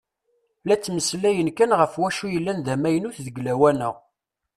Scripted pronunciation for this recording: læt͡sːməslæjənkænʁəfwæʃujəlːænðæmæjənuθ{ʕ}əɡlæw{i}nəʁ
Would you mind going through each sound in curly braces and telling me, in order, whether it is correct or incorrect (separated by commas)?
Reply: incorrect, incorrect